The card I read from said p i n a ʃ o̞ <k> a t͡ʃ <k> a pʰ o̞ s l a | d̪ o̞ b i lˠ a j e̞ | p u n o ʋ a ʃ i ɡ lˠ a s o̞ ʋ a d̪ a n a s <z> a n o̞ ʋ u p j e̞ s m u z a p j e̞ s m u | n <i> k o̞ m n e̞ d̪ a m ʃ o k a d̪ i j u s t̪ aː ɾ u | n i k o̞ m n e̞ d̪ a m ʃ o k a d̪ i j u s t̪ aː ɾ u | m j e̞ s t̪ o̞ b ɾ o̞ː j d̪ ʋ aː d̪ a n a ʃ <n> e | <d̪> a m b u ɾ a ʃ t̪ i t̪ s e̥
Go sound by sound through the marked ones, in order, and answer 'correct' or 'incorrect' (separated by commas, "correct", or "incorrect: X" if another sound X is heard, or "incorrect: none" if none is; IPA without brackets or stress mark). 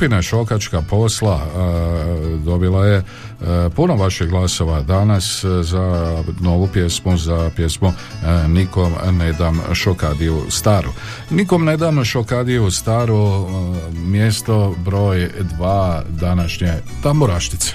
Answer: correct, correct, correct, correct, incorrect: ɲ, incorrect: t̪